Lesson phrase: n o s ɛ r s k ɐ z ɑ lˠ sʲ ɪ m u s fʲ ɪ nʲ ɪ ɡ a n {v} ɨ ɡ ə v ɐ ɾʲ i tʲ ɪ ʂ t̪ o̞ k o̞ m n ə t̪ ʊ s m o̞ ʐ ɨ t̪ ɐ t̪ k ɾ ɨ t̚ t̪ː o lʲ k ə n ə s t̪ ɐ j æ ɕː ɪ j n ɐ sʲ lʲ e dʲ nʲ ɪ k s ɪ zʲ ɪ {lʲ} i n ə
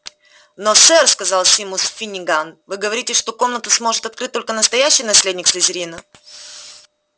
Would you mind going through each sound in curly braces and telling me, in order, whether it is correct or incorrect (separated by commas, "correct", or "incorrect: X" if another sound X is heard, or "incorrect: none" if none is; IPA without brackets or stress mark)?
correct, incorrect: ɾʲ